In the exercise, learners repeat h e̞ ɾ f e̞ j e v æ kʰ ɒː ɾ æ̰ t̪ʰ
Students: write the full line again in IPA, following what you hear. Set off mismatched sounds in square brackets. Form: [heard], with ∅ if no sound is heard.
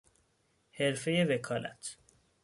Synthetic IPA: h e̞ ɾ f e̞ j e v [e] kʰ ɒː [l] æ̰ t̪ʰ